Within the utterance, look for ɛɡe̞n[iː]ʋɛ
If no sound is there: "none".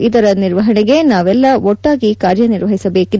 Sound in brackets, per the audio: aː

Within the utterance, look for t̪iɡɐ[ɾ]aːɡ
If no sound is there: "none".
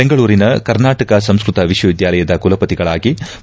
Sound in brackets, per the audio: ɭ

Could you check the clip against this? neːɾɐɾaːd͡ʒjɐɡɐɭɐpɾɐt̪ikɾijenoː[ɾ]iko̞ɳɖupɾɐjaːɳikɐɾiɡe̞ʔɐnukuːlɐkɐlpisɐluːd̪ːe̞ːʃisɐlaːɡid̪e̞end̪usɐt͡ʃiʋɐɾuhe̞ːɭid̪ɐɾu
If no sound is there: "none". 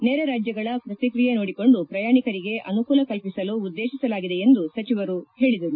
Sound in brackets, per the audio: ɽ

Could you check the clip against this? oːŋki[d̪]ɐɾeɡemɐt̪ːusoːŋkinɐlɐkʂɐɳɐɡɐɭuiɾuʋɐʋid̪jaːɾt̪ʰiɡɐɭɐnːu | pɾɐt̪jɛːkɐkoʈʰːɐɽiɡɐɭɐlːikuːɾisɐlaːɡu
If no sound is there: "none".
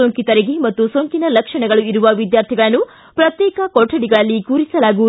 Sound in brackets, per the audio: t̪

